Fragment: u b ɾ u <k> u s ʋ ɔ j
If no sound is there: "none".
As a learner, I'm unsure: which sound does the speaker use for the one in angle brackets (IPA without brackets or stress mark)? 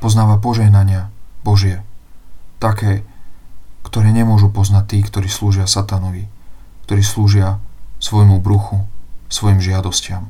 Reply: x